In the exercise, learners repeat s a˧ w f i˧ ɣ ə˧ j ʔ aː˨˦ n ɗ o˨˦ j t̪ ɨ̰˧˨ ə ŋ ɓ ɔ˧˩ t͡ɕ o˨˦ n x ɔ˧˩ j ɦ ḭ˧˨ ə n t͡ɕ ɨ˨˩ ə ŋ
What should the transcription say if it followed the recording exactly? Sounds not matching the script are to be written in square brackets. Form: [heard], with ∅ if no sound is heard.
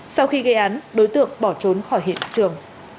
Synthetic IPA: s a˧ w [x] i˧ ɣ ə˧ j ʔ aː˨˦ n ɗ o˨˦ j t̪ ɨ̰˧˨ ə ŋ ɓ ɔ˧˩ t͡ɕ o˨˦ n x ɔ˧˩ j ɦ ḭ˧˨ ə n t͡ɕ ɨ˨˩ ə ŋ